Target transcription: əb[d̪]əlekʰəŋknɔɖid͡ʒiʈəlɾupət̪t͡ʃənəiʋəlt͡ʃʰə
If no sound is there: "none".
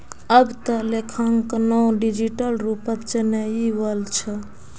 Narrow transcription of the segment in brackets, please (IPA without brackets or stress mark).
t̪